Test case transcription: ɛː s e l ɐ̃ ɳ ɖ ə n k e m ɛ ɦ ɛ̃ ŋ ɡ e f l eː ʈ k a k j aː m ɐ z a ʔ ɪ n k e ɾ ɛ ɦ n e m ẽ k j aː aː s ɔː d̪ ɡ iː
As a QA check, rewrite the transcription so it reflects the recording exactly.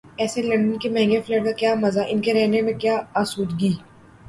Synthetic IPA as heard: ɛː s e l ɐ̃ ɳ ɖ ə n k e m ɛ ɦ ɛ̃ ŋ ɡ e f l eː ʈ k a k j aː m ɐ z a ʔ ɪ n k e ɾ ɛ ɦ n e m ẽ k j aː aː s uː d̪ ɡ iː